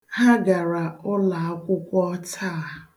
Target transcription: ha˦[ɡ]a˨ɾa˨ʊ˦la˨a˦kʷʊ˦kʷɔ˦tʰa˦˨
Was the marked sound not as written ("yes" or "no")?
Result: no